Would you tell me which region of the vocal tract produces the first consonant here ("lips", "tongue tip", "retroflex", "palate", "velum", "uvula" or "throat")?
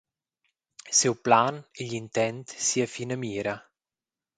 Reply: tongue tip